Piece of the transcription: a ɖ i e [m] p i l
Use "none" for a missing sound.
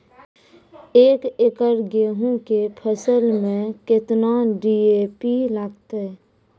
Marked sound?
none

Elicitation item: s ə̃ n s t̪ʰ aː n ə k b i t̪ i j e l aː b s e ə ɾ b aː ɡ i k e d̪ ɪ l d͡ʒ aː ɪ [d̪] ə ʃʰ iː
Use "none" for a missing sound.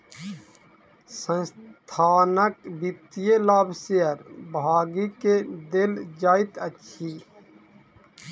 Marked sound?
t̪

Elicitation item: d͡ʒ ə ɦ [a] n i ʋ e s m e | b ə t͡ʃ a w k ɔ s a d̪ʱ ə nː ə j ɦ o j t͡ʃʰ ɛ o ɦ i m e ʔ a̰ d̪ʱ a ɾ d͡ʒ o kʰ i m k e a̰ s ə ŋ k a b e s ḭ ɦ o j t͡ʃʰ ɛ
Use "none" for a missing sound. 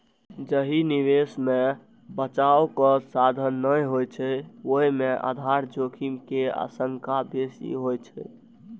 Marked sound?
i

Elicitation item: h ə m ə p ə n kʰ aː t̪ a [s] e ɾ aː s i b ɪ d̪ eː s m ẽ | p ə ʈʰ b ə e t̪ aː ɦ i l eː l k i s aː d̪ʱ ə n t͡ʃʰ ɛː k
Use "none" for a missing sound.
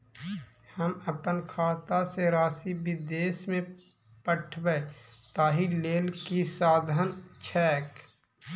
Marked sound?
s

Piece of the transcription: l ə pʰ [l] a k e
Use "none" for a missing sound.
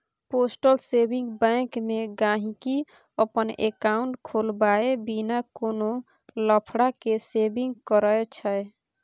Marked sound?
ɽ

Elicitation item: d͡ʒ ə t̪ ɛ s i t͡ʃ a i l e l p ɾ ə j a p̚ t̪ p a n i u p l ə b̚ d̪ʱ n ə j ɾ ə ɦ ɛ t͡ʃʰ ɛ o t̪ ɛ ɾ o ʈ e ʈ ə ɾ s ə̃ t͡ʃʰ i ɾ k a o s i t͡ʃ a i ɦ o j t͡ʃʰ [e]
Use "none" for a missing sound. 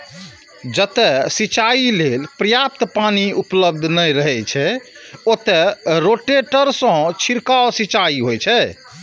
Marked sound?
ɛ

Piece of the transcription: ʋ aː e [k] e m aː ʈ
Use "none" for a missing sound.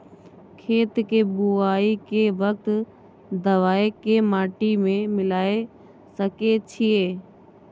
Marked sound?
k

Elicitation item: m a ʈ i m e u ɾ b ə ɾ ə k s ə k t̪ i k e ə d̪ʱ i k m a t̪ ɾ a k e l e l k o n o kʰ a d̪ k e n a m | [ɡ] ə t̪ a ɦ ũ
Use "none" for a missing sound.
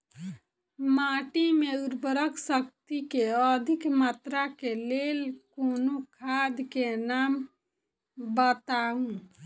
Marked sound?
b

